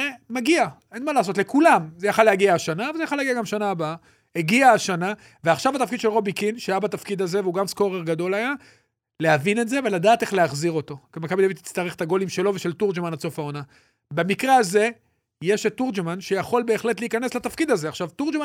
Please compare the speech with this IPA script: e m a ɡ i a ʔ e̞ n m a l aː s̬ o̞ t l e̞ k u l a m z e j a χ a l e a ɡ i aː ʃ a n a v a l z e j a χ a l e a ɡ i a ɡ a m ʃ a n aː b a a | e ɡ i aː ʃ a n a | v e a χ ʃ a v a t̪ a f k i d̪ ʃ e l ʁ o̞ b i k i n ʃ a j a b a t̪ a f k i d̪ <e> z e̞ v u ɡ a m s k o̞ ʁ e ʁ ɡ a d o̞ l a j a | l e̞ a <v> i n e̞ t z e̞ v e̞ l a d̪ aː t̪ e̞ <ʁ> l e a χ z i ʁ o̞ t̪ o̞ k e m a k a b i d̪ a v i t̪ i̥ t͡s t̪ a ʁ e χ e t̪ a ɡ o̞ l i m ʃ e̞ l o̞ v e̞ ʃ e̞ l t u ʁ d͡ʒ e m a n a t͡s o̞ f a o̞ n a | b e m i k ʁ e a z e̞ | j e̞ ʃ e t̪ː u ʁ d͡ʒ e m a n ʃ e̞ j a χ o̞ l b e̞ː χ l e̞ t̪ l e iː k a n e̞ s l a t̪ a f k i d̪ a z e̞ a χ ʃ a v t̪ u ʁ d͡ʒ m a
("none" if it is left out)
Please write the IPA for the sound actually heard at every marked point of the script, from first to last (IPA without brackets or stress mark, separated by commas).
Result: a, v, χ